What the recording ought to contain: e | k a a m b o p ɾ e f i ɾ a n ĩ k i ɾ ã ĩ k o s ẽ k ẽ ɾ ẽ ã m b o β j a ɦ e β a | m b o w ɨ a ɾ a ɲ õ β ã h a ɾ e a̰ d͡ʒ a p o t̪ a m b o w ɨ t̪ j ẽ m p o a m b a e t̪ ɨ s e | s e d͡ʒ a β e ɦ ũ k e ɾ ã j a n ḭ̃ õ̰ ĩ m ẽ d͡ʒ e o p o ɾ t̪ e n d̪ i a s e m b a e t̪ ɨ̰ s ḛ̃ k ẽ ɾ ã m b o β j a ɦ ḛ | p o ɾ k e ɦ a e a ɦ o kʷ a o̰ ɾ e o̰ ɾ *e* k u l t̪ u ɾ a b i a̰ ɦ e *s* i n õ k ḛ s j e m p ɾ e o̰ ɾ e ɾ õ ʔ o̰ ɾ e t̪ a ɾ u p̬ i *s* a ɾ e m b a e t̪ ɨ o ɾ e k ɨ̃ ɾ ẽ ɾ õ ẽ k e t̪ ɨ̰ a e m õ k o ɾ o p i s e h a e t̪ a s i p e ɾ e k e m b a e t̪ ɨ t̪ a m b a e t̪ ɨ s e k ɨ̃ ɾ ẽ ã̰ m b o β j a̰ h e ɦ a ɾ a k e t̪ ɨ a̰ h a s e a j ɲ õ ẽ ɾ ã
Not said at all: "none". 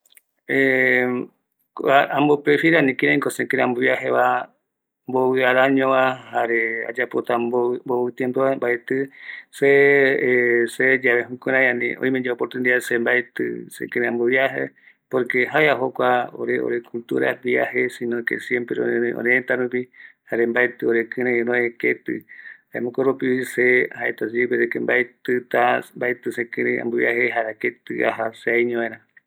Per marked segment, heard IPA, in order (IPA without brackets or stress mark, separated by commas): e, s, h